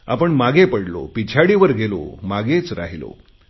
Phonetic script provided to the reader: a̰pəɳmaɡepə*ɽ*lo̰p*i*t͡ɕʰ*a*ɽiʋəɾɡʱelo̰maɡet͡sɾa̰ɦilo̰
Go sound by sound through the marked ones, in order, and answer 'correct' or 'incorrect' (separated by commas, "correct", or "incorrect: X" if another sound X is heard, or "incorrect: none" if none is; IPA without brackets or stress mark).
correct, correct, correct